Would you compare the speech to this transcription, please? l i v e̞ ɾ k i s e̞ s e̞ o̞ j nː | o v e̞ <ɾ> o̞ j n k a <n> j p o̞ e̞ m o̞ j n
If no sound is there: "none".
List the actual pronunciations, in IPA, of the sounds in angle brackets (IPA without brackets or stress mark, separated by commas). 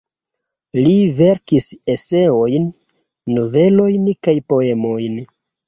l, none